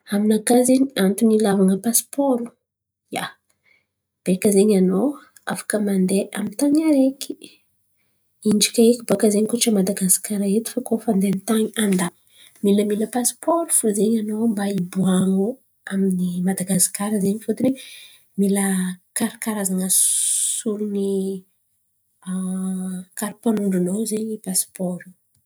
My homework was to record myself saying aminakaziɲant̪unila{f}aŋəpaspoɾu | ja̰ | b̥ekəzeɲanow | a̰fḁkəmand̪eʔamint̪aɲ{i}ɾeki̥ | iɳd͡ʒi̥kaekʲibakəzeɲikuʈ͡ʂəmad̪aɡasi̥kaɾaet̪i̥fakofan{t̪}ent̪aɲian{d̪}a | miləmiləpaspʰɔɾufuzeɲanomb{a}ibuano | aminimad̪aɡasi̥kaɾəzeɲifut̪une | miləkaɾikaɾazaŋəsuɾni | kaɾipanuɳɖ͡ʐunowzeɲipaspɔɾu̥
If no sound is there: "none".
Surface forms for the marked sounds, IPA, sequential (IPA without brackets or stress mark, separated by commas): v, a, d̪, d̪, a